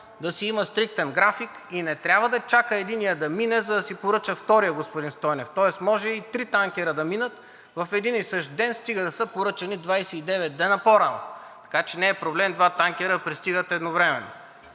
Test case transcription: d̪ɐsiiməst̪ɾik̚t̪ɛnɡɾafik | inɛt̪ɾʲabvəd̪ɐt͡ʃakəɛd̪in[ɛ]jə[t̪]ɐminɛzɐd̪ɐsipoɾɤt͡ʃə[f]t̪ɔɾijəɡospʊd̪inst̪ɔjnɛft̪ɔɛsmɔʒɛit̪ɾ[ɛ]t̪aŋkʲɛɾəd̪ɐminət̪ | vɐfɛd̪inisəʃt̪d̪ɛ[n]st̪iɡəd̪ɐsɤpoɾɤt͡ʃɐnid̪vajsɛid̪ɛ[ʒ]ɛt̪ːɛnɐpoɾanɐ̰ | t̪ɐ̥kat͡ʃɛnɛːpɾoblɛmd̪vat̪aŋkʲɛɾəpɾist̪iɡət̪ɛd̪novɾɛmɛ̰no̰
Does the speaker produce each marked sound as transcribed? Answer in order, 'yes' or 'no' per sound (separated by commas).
no, no, yes, no, yes, no